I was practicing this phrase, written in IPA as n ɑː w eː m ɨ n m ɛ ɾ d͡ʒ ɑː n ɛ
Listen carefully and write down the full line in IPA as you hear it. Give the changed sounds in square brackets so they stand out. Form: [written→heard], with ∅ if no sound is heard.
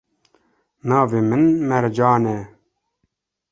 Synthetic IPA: n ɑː [w→v] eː m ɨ n m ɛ ɾ d͡ʒ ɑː n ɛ